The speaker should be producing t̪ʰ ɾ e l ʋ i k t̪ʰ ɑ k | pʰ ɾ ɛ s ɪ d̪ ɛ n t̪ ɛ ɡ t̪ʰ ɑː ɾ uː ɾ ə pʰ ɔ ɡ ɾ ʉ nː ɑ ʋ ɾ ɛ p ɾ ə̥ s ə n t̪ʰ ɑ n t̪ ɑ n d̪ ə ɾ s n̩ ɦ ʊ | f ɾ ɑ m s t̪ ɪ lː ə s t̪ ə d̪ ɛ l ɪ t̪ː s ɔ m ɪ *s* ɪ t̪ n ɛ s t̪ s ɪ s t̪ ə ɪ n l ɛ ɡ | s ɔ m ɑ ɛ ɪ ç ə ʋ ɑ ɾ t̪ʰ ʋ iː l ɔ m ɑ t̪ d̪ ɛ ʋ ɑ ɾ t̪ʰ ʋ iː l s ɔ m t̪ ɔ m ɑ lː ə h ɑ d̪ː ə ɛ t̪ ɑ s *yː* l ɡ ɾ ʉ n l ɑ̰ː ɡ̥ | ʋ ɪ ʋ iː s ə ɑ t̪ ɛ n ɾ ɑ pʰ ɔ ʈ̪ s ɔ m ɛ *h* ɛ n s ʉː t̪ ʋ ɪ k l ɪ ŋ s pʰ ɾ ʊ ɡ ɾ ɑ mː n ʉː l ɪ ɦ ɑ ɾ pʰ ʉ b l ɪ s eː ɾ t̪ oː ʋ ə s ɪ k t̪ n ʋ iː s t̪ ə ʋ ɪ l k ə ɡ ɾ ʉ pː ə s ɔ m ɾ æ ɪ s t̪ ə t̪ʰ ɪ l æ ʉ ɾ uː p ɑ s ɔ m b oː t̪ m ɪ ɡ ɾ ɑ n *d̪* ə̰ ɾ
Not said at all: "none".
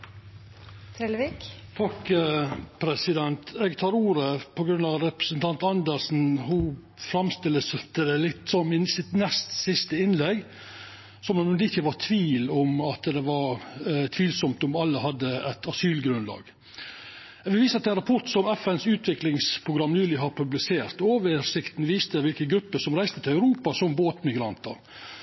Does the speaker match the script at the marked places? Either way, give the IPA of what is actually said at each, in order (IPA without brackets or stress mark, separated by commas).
s, yː, f, t̪